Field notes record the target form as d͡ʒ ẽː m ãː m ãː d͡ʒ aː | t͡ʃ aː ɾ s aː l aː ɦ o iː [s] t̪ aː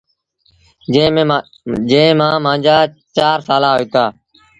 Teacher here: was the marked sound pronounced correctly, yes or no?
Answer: no